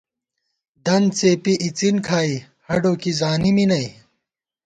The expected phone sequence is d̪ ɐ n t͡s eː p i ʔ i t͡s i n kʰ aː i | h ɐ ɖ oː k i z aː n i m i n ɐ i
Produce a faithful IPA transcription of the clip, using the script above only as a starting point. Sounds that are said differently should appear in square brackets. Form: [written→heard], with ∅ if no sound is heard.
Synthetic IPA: d̪ ɐ n t͡s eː p i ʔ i t͡s i n kʰ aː i | h ɐ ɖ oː k i z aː n i m i n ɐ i